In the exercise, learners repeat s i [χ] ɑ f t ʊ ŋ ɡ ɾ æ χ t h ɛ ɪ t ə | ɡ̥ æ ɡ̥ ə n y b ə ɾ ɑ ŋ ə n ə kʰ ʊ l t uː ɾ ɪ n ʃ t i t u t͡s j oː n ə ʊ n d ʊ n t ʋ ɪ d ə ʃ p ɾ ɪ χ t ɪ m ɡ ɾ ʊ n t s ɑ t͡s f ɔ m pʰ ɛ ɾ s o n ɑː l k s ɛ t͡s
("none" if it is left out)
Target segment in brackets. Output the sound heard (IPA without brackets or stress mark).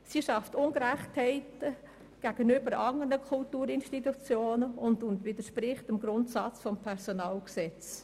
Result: ʃ